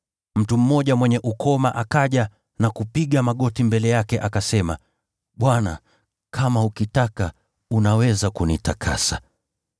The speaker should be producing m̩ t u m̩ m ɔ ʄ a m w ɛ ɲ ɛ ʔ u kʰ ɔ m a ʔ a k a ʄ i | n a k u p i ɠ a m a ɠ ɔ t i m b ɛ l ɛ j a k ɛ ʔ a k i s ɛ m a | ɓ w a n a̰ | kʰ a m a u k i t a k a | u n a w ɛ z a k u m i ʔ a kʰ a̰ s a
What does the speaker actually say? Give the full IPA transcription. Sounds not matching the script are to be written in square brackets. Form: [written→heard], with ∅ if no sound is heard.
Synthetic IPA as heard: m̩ t u m̩ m ɔ ʄ a m w ɛ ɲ ɛ ʔ u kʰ ɔ m a ʔ a k a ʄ [i→a] | n a k u p i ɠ a m a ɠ ɔ t i m b ɛ l ɛ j a k ɛ ʔ a k [i→a] s ɛ m a | ɓ w a n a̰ | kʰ a m a u k i t a k a | u n a w ɛ z a k u [m→n] i [ʔ→t] a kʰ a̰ s a